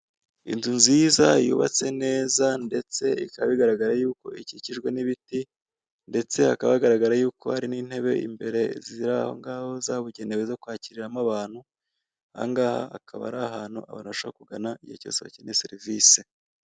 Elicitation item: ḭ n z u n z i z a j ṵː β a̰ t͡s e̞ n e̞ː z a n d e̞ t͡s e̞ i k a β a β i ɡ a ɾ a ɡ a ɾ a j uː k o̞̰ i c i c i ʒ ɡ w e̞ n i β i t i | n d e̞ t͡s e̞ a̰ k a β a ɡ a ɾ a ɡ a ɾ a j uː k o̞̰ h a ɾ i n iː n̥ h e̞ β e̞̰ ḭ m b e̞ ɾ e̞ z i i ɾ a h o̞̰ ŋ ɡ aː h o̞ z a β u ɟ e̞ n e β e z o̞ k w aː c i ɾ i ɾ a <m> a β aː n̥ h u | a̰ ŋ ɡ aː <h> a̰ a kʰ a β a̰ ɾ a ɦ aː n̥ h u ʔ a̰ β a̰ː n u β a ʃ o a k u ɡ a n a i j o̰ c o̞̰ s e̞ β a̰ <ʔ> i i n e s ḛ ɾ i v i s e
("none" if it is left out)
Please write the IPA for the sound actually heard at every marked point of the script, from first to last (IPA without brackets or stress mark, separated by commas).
m, h, c